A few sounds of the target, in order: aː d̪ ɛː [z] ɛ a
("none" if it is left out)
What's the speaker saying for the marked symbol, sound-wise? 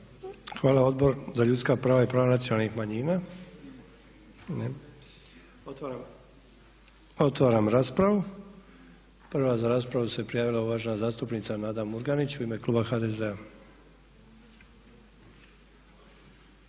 z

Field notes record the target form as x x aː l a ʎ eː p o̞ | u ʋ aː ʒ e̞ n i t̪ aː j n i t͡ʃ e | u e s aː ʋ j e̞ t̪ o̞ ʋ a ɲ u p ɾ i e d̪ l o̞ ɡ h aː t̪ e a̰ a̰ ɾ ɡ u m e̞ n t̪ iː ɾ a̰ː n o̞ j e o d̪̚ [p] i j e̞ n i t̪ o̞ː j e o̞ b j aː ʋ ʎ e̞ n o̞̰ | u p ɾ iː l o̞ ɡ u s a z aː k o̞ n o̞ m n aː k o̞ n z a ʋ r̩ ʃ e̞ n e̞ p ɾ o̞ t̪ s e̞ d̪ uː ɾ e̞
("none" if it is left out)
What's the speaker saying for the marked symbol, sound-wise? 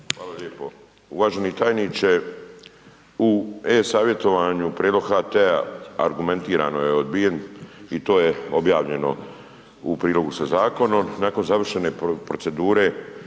b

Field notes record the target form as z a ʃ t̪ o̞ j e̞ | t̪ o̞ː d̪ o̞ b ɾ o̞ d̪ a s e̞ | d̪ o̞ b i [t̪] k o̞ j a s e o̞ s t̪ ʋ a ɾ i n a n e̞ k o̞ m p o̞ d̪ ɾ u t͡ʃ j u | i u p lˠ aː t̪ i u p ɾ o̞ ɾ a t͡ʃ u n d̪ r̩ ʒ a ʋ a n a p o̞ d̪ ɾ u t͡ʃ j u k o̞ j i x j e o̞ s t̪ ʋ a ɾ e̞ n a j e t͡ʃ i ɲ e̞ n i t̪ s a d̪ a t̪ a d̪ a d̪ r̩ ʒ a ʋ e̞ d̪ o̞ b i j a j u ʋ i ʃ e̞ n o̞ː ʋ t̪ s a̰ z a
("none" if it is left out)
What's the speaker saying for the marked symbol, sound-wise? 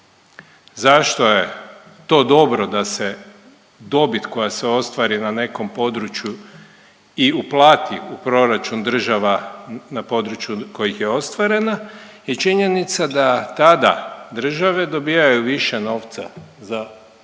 t̪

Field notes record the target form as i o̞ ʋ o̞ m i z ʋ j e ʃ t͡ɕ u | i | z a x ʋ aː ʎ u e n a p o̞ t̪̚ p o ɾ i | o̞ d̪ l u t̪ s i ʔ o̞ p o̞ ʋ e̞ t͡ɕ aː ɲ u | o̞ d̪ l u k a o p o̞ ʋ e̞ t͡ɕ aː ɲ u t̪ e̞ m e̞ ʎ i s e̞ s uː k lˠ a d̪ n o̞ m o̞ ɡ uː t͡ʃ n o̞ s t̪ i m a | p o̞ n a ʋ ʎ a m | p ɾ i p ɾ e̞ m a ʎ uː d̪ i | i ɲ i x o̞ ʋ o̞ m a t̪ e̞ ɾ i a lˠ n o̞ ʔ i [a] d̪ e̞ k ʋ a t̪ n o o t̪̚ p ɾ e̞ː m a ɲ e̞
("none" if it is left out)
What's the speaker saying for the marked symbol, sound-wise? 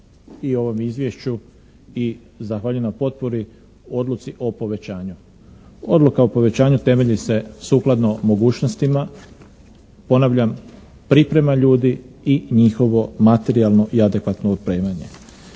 a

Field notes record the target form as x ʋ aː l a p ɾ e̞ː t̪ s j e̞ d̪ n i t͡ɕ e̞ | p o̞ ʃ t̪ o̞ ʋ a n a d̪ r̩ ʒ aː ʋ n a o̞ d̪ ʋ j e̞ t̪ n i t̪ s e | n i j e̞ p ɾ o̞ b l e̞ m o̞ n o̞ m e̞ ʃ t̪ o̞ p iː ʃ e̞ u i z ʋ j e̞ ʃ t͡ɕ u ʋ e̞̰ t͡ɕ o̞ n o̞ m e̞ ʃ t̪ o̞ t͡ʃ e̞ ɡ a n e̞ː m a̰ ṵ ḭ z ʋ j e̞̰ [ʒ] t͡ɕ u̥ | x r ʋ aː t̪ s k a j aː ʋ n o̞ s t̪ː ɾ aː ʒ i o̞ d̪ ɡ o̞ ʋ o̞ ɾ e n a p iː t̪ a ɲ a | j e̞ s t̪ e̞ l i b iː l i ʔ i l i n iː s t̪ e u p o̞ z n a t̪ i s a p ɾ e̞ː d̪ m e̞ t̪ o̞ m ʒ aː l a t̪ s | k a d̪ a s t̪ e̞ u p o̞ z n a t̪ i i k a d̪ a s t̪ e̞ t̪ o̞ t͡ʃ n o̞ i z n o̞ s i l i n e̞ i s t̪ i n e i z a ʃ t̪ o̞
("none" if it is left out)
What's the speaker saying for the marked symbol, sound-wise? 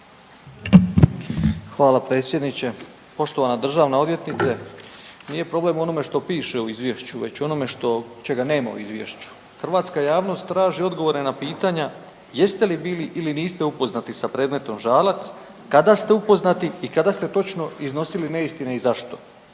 ʃ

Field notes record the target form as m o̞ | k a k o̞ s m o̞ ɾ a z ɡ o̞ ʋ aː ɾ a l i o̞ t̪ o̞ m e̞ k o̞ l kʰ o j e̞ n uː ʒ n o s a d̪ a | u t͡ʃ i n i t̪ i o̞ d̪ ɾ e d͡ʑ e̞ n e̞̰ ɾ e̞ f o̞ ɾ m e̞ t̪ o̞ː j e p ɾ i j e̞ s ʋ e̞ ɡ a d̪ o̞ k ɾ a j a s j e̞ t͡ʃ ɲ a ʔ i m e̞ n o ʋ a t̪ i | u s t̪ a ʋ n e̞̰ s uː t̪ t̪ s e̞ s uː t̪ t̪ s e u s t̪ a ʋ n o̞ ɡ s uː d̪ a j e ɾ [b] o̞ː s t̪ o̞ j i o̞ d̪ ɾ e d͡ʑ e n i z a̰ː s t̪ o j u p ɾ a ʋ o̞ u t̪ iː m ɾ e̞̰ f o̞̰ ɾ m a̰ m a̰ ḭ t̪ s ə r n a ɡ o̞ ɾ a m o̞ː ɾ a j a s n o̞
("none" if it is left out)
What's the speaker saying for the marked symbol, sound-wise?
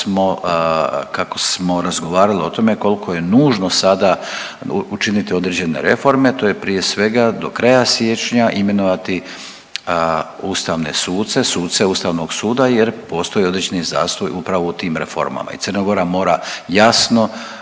p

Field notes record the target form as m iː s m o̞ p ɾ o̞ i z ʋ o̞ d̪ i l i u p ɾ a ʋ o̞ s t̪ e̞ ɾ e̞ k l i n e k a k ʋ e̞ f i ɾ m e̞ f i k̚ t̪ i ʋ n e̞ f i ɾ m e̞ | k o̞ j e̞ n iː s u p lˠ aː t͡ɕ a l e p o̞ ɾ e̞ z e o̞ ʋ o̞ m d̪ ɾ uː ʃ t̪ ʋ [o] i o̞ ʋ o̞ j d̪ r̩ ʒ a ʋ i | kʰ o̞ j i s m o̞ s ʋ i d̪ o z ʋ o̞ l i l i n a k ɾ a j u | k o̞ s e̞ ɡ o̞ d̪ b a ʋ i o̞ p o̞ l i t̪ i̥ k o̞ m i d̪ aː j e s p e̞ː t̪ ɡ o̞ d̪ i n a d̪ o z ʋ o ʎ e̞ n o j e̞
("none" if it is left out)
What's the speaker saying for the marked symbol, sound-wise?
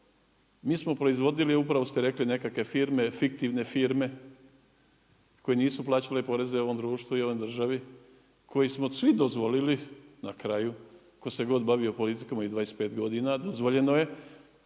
u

